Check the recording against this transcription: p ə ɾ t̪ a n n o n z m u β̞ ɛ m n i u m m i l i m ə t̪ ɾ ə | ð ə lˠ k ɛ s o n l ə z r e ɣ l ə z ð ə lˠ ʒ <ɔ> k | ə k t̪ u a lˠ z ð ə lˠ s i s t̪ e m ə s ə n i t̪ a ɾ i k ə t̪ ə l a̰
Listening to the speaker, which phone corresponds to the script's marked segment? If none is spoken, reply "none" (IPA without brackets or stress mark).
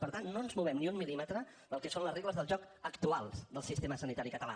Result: ɔ